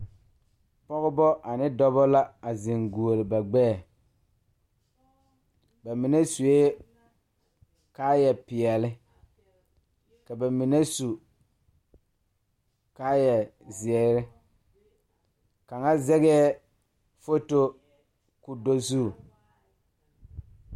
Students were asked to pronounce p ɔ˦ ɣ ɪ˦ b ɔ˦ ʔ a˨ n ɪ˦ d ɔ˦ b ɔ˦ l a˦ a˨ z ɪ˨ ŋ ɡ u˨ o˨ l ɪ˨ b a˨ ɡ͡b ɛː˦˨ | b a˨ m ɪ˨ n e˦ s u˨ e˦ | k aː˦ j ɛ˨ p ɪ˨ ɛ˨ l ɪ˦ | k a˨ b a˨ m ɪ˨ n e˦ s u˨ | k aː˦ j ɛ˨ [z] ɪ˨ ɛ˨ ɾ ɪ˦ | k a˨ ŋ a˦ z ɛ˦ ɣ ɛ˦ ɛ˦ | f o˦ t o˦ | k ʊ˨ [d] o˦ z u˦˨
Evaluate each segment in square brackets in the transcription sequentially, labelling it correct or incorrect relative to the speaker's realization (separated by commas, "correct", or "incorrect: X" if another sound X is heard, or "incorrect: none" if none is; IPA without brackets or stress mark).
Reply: correct, correct